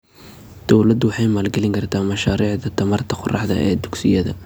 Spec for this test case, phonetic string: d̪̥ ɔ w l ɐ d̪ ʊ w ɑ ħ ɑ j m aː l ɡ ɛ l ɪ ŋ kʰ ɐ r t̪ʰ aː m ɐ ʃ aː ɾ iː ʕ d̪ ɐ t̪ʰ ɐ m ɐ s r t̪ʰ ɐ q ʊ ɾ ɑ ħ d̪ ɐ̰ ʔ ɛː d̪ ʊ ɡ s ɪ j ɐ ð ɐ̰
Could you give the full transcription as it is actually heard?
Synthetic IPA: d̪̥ ɔ w l ɐ d̪ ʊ w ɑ ħ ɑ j m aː l ɡ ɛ l ɪ ŋ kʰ ɐ r t̪ʰ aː m ɐ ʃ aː ɾ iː ʕ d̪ ɐ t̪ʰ ɐ m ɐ r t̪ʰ ɐ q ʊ r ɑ ħ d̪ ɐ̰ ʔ ɛː d̪ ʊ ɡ s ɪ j ɐ ð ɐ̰